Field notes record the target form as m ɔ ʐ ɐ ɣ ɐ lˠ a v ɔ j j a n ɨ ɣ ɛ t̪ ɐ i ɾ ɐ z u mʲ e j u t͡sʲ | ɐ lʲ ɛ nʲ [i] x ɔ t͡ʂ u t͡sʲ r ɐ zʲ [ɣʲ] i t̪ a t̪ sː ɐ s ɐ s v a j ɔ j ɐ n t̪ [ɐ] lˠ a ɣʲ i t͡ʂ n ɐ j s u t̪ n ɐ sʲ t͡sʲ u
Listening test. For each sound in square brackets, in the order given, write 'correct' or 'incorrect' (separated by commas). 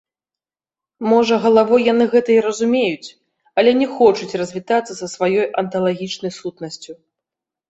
incorrect, incorrect, correct